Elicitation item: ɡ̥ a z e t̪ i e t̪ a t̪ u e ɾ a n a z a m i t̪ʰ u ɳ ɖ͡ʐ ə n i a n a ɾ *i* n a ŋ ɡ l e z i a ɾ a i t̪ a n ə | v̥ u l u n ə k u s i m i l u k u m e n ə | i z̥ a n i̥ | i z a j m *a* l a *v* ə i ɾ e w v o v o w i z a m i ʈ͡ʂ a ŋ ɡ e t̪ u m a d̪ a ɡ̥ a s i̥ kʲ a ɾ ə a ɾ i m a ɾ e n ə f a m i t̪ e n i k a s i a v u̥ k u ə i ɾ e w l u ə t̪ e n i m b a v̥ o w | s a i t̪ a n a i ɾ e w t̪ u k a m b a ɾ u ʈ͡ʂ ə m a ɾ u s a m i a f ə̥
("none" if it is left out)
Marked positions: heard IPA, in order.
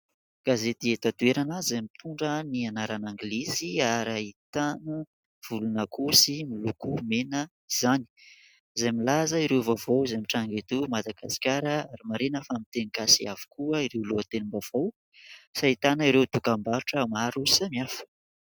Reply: a, i, z

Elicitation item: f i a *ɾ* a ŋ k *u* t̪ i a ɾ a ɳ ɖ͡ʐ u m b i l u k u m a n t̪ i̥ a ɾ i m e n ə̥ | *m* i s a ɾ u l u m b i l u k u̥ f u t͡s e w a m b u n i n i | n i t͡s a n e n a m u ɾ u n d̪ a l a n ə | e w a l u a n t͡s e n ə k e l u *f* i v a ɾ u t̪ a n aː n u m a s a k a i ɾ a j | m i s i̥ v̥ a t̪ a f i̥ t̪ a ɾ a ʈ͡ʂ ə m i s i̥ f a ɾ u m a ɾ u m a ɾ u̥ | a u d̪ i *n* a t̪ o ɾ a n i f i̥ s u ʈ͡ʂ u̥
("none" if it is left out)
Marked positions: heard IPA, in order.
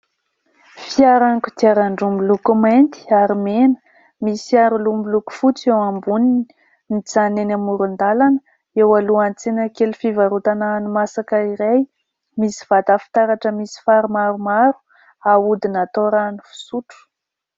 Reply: ɾ, u, m, f, n

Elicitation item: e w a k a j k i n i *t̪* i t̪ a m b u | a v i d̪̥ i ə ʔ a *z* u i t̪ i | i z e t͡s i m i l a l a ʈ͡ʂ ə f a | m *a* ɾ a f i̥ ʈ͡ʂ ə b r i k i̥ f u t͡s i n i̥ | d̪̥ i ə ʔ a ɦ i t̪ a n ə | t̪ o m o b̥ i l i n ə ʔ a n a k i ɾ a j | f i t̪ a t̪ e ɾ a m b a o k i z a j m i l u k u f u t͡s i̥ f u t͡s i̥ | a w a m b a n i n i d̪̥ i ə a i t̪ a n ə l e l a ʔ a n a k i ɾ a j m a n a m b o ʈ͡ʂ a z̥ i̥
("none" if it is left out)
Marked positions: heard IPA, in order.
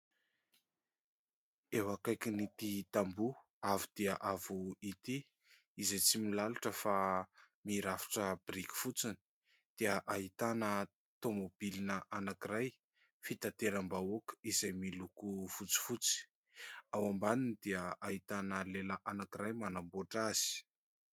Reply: t̪, v, i

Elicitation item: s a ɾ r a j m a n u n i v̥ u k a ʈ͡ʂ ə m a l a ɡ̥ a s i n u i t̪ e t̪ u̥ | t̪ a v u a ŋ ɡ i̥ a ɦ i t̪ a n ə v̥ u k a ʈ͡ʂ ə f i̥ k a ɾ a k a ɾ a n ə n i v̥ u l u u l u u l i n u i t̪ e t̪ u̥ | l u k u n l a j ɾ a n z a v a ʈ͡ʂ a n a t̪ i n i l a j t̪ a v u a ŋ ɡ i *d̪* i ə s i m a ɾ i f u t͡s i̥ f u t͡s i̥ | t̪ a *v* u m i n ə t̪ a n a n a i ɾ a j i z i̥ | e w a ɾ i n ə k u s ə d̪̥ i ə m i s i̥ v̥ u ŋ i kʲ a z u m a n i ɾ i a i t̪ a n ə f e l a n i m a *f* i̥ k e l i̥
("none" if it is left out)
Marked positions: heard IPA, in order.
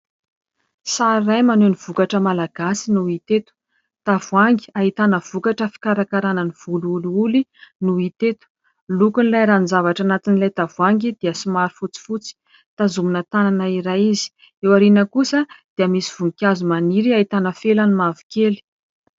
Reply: d̪, z, v

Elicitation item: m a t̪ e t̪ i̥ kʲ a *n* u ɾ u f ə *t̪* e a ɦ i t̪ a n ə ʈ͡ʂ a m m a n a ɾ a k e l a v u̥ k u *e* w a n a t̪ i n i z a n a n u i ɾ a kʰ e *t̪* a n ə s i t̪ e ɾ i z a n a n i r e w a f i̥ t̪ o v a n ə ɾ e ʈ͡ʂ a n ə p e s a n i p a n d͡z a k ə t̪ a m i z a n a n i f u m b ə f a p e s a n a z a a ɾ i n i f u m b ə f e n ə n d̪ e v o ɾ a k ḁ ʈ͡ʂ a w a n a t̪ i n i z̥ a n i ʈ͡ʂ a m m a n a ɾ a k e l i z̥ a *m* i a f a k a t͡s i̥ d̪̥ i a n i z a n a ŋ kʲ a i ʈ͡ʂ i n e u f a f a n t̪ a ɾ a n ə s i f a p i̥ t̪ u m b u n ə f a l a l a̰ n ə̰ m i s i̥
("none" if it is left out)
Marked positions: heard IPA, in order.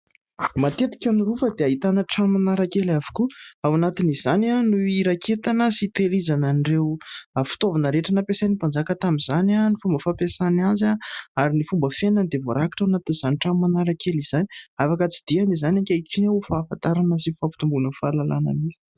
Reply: n, d̪, a, t̪, n

